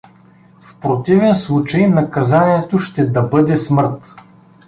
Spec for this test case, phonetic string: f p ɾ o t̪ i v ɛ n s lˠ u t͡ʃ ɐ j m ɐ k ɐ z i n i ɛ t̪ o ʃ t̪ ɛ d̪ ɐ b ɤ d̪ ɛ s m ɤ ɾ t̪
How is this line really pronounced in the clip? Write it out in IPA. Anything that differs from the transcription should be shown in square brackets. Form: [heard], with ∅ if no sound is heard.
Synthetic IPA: f p ɾ o t̪ i v ɛ n s lˠ u t͡ʃ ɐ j [n] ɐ k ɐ z [a] n i ɛ t̪ o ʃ t̪ ɛ d̪ ɐ b ɤ d̪ ɛ s m ɤ ɾ t̪